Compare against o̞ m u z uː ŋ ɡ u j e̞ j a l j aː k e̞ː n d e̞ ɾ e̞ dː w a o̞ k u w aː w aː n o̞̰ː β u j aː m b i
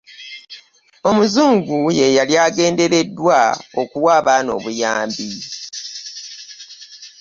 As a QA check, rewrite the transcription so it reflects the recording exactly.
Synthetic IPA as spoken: o̞ m u z uː ŋ ɡ u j e̞ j a l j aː ɡ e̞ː n d e̞ ɾ e̞ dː w a o̞ k u w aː β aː n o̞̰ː β u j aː m b i